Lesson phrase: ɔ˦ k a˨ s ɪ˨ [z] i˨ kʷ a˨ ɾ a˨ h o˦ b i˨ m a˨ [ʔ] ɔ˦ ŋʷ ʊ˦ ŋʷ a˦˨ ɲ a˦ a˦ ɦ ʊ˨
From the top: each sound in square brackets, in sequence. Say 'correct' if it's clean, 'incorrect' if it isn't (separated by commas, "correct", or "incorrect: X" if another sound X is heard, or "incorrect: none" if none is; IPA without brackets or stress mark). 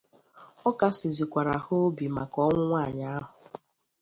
correct, incorrect: k